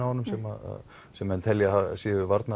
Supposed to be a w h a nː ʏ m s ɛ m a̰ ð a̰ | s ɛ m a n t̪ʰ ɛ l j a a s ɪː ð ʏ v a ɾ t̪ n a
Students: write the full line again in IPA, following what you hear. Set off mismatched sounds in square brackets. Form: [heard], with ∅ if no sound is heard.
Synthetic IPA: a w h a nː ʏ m s ɛ m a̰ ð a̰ | s ɛ m [ɛ] n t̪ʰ ɛ l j a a s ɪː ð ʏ v a ɾ t̪ n a